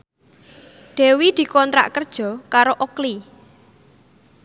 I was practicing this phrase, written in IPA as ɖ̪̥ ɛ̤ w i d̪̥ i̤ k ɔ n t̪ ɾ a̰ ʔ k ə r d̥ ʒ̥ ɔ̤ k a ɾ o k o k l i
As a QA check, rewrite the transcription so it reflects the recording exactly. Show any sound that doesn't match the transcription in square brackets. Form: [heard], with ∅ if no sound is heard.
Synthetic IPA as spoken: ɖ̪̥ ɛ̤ w i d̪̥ i̤ k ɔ n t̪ ɾ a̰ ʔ k ə r d̥ ʒ̥ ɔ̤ k a ɾ o [ʔ] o k l i